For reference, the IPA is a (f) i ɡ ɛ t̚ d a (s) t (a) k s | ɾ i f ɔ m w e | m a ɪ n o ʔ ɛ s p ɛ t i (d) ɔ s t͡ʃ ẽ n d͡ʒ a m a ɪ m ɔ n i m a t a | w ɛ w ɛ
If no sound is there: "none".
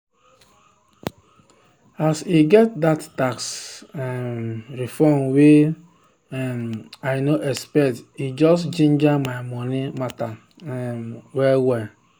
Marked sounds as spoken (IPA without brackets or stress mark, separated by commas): s, t, a, d͡ʒ